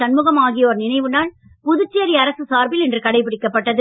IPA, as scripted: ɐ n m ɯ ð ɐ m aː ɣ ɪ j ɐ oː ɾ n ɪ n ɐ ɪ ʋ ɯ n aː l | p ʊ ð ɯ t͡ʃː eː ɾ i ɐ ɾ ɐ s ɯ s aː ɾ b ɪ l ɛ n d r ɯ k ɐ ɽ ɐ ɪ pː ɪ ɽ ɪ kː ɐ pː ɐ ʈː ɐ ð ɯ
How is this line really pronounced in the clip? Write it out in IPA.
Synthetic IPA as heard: ɐ n m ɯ ɣ ɐ m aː ɣ ɪ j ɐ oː ɾ n ɪ n ɐ ɪ ʋ ɯ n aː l | p ʊ ð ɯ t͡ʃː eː ɾ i ɐ ɾ ɐ s ɯ s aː ɾ b ɪ l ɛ n d r ɯ k ɐ ɽ ɐ ɪ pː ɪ ɽ ɪ kː ɐ pː ɐ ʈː ɐ ð ɯ